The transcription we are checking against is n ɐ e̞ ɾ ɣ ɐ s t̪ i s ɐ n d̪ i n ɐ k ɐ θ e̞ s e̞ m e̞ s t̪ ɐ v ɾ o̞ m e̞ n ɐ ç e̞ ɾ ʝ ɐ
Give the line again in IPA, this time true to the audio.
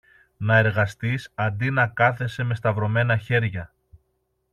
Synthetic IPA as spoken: n ɐ e̞ ɾ ɣ ɐ s t̪ i s ɐ n d̪ i n ɐ k ɐ θ e̞ s e̞ m e̞ s t̪ ɐ v ɾ o̞ m e̞ n ɐ ç e̞ ɾ ʝ ɐ